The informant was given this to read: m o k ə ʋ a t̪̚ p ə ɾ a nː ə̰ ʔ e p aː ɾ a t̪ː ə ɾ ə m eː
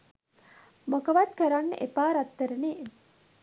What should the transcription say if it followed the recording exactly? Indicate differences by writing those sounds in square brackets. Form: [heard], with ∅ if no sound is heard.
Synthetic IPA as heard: m o k ə ʋ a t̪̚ [k] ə ɾ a nː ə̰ ʔ e p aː ɾ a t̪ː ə ɾ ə [n] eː

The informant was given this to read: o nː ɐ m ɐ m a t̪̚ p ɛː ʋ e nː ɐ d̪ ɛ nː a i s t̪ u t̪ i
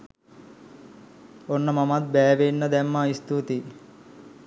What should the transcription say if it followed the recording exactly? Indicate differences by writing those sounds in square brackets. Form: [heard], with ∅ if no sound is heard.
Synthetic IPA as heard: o nː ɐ m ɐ m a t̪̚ [b] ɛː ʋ e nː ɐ d̪ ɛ [mː] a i s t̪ u t̪ i

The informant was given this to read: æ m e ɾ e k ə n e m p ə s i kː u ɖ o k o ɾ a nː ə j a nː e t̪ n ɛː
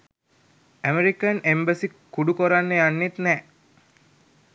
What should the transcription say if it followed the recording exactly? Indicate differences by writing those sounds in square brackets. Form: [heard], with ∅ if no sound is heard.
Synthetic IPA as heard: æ m e ɾ [i] k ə n e m [b] ə s i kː u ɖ [u] k o ɾ a nː ə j a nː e t̪ n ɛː

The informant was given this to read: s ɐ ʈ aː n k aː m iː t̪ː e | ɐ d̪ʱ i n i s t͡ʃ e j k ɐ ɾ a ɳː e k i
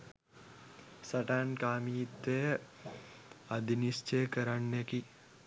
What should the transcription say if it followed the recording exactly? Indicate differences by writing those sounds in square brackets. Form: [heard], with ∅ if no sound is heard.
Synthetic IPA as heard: s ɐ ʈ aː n k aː m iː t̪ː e | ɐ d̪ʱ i n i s t͡ʃ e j k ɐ ɾ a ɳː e k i

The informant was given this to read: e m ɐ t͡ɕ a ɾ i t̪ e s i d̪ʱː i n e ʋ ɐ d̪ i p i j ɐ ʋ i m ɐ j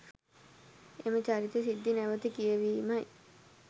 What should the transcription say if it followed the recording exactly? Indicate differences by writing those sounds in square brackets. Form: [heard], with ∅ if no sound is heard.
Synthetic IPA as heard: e m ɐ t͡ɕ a ɾ i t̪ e s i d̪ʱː i n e ʋ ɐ [t̪] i [k] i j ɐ ʋ i m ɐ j

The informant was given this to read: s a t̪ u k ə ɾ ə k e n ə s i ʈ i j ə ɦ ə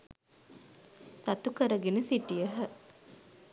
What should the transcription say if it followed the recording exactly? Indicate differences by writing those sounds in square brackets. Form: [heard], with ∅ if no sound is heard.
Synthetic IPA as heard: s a t̪ u k ə ɾ ə [ɡ] e n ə s i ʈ i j ə ɦ ə

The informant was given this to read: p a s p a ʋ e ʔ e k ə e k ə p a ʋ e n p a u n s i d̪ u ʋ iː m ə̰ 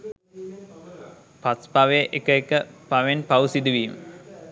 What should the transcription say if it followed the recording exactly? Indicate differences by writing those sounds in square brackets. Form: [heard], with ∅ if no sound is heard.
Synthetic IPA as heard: p a s p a ʋ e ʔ e k ə e k ə p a ʋ e n p a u [∅] s i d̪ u ʋ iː m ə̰

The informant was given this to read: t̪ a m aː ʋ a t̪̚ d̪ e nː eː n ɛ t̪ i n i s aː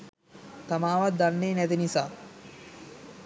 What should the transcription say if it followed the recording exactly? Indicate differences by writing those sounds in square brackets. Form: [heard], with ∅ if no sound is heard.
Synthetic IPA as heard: t̪ a m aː ʋ a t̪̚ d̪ [a] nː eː n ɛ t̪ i n i s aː

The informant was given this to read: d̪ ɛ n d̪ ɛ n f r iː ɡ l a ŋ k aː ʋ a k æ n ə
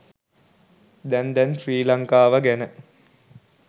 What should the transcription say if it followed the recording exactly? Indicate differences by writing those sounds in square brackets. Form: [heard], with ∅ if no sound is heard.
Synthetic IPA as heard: d̪ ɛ n d̪ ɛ n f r iː [∅] l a ŋ k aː ʋ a [ɡ] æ n ə

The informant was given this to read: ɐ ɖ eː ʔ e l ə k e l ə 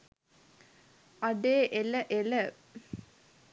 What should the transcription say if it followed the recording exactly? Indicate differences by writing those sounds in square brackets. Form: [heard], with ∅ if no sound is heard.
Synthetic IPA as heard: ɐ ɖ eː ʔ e l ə [ʔ] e l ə

